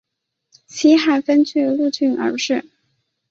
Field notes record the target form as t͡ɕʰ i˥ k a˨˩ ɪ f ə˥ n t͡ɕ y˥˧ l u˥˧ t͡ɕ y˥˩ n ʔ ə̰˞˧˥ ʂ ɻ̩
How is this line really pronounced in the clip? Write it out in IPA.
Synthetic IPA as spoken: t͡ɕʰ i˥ x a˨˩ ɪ f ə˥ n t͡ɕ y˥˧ l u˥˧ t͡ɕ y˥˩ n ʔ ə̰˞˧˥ ʂ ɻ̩

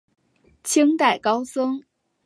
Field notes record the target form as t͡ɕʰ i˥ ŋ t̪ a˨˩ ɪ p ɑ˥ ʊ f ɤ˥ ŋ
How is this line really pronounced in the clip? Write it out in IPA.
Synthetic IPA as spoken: t͡ɕʰ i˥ ŋ t̪ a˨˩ ɪ k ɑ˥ ʊ s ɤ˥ ŋ

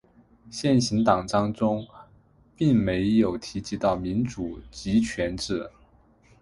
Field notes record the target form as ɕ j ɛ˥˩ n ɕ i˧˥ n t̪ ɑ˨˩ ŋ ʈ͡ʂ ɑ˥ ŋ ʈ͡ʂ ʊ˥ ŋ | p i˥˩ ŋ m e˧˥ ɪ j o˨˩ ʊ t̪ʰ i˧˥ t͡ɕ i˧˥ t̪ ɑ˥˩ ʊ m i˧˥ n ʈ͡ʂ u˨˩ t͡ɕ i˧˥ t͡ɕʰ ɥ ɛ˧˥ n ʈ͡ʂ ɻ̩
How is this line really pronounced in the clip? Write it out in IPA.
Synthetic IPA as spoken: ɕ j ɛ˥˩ n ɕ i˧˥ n t̪ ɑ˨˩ ŋ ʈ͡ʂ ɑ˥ ŋ ʈ͡ʂ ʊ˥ ŋ | p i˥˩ ŋ m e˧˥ ɪ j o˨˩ ʊ t̪ʰ i˧˥ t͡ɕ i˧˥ t̪ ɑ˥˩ ʊ m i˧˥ n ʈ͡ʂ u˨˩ t͡ɕ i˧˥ t͡ɕʰ ɥ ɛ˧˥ n ʈ͡ʂ ɻ̩

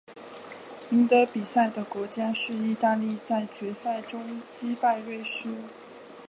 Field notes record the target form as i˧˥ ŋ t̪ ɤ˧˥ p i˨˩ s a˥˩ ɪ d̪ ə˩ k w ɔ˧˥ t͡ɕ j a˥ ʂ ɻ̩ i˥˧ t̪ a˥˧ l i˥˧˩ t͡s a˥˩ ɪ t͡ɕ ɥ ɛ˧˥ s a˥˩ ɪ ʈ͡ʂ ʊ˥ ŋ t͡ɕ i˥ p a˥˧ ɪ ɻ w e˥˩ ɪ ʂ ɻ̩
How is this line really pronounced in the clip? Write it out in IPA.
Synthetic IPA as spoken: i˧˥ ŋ t̪ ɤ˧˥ p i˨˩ s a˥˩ ɪ d̪ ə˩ k w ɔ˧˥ t͡ɕ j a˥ ʂ ɻ̩ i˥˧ t̪ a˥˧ l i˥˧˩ t͡s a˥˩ ɪ t͡ɕ ɥ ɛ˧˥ s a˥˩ ɪ ʈ͡ʂ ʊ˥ ŋ t͡ɕ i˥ p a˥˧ ɪ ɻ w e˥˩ ɪ ʂ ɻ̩

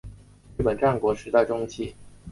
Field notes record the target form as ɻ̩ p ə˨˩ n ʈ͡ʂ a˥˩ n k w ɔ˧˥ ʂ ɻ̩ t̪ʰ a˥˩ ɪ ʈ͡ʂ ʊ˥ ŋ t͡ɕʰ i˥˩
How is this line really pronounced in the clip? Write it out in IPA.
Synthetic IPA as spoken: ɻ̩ p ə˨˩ n ʈ͡ʂ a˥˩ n k w ɔ˧˥ ʂ ɻ̩ t̪ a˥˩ ɪ ʈ͡ʂ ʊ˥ ŋ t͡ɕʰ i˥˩

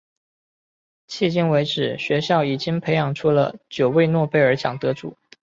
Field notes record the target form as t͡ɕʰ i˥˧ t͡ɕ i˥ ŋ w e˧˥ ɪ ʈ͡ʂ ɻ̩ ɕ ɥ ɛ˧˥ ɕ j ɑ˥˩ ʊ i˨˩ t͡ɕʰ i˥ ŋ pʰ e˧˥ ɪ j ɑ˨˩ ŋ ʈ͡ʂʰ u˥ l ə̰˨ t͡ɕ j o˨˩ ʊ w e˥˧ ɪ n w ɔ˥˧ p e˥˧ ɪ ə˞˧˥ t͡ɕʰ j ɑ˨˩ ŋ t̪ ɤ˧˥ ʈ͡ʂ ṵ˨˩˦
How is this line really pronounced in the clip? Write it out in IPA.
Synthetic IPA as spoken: t͡ɕʰ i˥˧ t͡ɕ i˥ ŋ w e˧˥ ɪ ʈ͡ʂ ɻ̩ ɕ ɥ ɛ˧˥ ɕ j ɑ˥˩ ʊ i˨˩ t͡ɕ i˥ ŋ pʰ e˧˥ ɪ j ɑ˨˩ ŋ ʈ͡ʂʰ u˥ l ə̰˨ t͡ɕ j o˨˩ ʊ w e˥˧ ɪ n w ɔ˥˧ p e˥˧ ɪ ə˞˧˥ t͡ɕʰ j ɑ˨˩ ŋ t̪ ɤ˧˥ ʈ͡ʂ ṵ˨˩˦

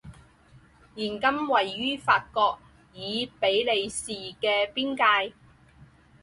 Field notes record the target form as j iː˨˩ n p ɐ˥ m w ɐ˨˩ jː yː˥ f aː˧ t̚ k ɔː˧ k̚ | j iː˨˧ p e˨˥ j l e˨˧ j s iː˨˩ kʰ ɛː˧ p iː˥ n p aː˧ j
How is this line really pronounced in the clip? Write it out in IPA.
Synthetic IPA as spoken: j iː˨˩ n k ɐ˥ m w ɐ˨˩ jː yː˥ f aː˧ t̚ k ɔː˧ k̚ | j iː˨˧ p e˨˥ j l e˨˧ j s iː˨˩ k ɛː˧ p iː˥ n k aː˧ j

